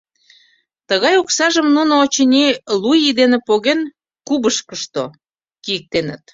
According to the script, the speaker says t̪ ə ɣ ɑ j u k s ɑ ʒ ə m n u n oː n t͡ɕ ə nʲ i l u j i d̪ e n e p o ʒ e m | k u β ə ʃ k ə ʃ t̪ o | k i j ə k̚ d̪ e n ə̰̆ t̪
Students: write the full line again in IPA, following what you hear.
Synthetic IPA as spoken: t̪ ə ɣ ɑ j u k s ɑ ʒ ə m n u n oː t͡ɕ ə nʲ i l u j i d̪ e n e p o ɣ e n | k u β ə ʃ k ə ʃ t̪ o | k i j ə k̚ t̪ e n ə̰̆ t̪